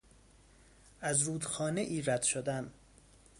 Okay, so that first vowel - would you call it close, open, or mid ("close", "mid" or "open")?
open